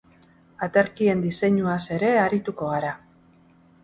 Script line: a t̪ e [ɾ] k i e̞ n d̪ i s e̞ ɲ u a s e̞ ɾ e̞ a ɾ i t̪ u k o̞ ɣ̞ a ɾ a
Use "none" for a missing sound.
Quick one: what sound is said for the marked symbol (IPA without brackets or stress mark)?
ɾ